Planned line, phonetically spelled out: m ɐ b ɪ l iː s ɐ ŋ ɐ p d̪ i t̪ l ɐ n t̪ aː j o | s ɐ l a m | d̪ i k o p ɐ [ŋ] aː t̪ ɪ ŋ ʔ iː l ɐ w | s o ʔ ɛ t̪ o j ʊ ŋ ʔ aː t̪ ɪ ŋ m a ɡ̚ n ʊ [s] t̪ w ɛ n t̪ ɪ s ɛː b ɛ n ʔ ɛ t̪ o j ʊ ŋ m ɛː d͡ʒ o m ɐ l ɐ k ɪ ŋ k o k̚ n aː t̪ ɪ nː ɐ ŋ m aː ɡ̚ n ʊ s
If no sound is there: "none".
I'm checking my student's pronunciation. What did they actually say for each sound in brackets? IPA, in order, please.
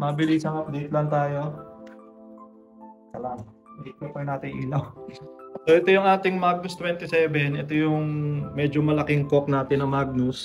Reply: n, s

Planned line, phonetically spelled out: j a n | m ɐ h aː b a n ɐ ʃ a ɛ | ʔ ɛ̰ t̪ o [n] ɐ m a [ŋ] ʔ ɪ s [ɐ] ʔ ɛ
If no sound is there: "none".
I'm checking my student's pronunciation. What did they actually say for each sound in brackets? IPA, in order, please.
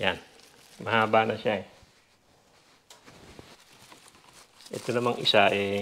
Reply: n, ŋ, a

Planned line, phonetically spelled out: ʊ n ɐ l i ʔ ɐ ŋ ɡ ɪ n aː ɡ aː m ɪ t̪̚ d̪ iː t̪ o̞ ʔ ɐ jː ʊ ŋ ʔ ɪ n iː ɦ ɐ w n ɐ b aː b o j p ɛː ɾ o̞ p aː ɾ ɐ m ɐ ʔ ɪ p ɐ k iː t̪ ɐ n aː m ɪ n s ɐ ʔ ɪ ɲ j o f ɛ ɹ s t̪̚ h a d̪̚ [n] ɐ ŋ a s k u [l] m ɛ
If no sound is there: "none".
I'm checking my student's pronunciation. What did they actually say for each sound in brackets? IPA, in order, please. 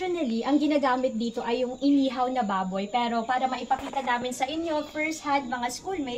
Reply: m, l

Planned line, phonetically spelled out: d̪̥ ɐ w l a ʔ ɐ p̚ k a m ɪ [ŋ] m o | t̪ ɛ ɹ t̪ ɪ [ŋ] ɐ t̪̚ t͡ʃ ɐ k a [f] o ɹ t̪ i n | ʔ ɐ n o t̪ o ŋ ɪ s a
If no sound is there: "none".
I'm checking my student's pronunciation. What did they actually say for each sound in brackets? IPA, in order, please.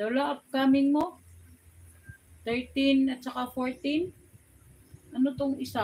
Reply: ŋ, n, f

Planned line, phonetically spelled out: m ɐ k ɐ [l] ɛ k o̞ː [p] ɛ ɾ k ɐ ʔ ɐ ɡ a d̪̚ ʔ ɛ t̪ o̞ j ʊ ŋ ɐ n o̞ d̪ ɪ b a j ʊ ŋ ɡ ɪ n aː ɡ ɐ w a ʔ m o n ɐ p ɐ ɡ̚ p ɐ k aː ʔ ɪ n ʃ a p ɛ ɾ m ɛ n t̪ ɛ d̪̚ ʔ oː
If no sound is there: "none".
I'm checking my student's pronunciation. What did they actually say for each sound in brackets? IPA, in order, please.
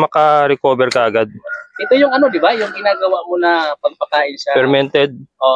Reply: ɾ, b

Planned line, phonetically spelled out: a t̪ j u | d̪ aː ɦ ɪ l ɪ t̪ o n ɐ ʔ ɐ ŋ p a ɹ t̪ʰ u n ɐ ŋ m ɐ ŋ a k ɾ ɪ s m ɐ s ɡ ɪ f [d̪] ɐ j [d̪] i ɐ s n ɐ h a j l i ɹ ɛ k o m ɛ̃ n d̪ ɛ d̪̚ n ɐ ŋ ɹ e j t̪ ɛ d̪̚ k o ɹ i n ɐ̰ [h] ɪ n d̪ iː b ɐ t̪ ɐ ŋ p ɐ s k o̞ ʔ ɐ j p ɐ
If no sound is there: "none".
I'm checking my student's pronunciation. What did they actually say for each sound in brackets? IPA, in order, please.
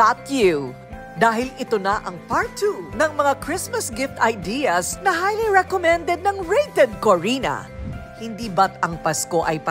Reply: t̪, d̪, h

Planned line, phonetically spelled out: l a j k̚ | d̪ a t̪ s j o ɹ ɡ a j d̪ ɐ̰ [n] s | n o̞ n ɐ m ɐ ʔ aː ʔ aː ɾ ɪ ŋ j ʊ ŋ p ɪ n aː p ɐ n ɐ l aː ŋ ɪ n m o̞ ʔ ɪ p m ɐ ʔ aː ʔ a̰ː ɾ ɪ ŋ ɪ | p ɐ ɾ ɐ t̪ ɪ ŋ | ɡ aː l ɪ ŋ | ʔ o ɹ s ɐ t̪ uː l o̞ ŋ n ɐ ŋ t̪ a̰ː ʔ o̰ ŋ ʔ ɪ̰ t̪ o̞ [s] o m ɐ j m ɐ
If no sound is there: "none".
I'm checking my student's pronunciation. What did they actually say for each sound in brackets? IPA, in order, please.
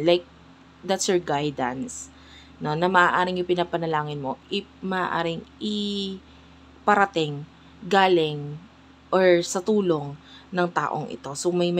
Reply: n, s

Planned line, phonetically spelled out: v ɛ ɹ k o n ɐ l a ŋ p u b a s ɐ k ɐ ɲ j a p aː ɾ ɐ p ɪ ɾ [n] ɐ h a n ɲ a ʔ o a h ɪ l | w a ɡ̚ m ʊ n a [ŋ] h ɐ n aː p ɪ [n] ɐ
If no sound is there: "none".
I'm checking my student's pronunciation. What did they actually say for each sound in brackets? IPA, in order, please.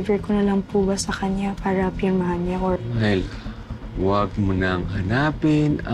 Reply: m, ŋ, n

